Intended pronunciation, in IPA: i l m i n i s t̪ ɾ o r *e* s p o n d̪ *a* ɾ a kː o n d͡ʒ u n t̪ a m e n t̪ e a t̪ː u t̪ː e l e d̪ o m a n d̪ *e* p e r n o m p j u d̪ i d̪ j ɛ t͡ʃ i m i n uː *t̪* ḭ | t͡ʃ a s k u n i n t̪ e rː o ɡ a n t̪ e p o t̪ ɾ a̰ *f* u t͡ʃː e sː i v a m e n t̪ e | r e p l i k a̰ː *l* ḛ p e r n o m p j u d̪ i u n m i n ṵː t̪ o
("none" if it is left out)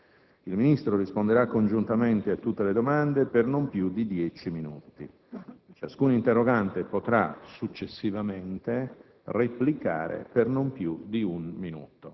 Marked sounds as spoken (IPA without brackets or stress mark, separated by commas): i, e, e, t̪, s, ɾ